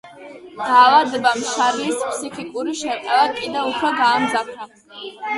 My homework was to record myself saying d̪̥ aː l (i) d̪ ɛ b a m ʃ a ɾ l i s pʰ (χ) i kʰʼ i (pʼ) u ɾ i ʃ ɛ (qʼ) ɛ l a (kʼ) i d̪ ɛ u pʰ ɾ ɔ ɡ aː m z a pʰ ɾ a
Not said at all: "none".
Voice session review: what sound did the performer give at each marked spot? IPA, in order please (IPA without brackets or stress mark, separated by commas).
a, s, kʼ, qʼ, kʼ